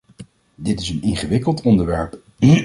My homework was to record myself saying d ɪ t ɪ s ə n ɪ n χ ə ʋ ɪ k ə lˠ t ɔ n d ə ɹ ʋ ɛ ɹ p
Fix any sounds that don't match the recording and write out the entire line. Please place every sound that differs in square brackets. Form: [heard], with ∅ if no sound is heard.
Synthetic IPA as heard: d ɪ t ɪ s ə n ɪ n χ ə ʋ ɪ k ə lˠ t ɔ n d ə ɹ ʋ ɛ ɹ p